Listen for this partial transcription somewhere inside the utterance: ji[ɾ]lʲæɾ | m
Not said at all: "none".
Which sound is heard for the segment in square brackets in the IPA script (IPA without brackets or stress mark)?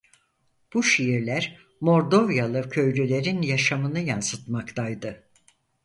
ɾ